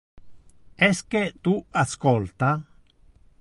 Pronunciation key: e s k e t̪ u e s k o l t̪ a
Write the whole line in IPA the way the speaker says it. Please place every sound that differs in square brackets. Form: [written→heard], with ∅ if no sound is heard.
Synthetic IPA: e s k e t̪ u [e→a] s k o l t̪ a